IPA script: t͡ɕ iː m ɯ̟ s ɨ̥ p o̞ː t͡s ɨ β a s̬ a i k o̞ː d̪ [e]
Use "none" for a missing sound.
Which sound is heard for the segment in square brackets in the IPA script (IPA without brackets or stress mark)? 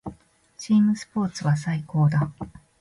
a